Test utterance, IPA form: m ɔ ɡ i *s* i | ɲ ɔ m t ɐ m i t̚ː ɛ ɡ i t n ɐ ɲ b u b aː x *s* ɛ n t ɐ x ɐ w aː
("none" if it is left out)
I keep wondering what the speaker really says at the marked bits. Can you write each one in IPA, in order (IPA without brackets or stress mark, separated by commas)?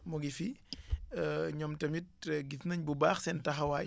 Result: f, s